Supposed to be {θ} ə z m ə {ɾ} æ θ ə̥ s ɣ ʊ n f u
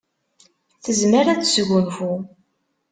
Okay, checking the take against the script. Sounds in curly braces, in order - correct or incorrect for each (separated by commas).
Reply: correct, correct